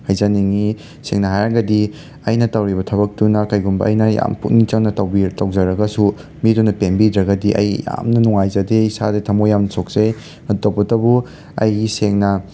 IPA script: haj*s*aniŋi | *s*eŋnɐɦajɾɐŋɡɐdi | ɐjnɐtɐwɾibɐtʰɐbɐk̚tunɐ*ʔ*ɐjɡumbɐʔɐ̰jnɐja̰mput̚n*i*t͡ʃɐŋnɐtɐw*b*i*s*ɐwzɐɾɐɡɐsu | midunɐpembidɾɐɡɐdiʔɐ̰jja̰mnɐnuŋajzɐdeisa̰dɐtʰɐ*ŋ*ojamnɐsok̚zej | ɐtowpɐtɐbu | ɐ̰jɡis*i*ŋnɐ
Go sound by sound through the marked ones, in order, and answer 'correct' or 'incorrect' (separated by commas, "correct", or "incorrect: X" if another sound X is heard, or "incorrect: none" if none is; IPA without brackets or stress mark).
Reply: incorrect: z, correct, incorrect: k, correct, correct, incorrect: t, incorrect: m, incorrect: e